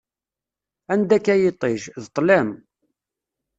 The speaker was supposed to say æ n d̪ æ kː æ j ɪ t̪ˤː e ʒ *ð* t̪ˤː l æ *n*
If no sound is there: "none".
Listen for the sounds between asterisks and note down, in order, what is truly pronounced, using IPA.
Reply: ð, m

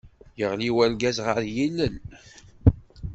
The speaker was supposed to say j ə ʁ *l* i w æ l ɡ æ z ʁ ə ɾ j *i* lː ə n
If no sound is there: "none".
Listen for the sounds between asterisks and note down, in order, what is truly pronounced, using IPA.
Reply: l, i

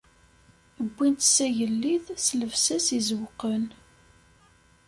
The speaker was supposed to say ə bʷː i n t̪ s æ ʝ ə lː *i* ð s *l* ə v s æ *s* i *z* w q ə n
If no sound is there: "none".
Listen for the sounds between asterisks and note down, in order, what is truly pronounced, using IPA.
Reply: i, l, s, z

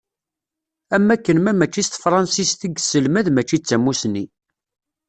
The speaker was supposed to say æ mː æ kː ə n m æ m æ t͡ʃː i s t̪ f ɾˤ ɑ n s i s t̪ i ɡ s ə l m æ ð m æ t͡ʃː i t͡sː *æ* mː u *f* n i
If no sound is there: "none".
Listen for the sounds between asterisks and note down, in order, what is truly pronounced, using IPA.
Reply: æ, s

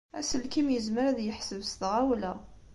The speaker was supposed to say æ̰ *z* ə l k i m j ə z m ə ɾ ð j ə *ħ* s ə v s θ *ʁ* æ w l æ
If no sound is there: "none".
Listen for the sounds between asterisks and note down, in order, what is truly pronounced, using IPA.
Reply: s, ħ, ʁ

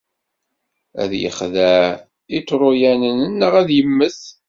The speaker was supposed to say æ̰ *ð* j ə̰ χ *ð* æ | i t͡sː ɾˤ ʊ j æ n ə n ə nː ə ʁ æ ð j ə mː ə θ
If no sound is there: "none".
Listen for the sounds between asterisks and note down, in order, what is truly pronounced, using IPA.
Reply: ð, ð

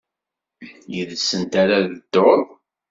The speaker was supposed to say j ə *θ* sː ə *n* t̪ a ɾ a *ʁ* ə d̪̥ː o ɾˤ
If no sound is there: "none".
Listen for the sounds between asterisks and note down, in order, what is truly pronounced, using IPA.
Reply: ð, n, ð

